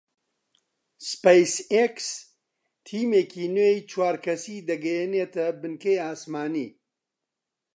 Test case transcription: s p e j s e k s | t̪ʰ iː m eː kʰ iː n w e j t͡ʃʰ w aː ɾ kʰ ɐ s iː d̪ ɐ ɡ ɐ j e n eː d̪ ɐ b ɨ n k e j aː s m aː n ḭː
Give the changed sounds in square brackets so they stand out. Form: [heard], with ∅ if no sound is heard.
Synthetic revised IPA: s p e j s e k s | t̪ʰ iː m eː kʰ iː n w e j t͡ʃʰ w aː ɾ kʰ ɐ s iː d̪ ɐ ɡ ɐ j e n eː [t̪] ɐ b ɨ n k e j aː s m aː n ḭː